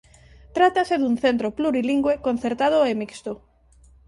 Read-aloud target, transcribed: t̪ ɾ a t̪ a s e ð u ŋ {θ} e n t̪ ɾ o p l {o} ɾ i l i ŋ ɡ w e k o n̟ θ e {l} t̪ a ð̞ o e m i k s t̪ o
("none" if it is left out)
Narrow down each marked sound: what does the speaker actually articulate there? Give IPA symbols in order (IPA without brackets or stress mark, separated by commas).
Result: θ, u, ɾ